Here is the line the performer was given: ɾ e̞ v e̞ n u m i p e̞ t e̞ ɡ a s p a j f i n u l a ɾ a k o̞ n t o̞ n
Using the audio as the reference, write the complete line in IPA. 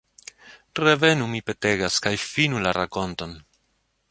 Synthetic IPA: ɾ e̞ v e̞ n u m i p e̞ t e̞ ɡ a s k a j f i n u l a ɾ a k o̞ n t o̞ n